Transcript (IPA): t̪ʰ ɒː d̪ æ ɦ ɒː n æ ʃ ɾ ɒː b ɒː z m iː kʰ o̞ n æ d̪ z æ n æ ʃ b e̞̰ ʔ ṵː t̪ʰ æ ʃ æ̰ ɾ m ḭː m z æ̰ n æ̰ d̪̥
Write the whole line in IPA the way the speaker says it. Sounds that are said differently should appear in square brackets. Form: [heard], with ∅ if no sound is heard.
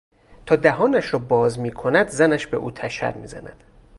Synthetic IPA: t̪ʰ ɒː d̪ æ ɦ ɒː n æ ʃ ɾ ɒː b ɒː z m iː kʰ o̞ n æ d̪ z æ n æ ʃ b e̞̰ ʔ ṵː t̪ʰ æ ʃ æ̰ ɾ m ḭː [∅] z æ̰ n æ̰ d̪̥